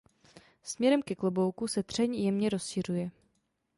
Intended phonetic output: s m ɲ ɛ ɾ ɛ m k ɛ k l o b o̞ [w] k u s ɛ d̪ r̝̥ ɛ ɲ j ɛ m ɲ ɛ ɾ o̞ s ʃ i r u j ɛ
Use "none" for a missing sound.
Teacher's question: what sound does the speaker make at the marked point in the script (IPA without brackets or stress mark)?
w